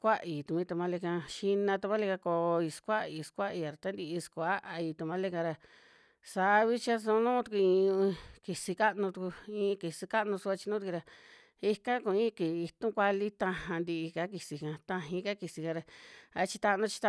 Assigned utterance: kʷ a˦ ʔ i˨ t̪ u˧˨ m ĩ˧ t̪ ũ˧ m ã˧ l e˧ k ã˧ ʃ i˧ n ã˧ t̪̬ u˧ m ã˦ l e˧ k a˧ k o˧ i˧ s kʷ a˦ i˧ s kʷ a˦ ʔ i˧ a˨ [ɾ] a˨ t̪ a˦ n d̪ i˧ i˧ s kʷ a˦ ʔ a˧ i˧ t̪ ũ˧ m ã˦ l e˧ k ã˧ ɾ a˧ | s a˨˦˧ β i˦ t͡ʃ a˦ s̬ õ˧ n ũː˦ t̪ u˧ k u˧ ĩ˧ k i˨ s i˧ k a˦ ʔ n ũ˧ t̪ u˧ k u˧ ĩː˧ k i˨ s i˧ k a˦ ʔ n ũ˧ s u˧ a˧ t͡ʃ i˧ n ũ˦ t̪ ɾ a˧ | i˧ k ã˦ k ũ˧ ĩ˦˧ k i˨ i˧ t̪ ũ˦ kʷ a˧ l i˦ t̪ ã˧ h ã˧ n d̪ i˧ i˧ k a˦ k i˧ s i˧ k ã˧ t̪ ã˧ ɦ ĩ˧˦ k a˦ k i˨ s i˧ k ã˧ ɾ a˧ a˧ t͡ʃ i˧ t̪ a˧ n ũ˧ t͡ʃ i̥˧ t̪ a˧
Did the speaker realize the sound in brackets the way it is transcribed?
yes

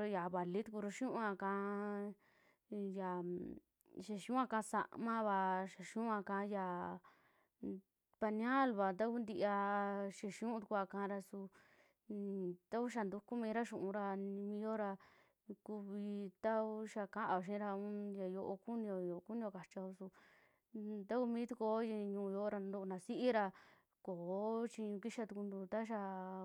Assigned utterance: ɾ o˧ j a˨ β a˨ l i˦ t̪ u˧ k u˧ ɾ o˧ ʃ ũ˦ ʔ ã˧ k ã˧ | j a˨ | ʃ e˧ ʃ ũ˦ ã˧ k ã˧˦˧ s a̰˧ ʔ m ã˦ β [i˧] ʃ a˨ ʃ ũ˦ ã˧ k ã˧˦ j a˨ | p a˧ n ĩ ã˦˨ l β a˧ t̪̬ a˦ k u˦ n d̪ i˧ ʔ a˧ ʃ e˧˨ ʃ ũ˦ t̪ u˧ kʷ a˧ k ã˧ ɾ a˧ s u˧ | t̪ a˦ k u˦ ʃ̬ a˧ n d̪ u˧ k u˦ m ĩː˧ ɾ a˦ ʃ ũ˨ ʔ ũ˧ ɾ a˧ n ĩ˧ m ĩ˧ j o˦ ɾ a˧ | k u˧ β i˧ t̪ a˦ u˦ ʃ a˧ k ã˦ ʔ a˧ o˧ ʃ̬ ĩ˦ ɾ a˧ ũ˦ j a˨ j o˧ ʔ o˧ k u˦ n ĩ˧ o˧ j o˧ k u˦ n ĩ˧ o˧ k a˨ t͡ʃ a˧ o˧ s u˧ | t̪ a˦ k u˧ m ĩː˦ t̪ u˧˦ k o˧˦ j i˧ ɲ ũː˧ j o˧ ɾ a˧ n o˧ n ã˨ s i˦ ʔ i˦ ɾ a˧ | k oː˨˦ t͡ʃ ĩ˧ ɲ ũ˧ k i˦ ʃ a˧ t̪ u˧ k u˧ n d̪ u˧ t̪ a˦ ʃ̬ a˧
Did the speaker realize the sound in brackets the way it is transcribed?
no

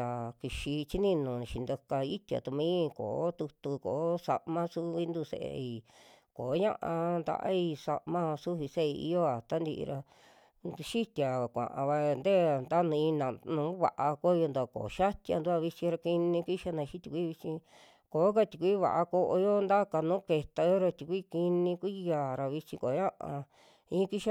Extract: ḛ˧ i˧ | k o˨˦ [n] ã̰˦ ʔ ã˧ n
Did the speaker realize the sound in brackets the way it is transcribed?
no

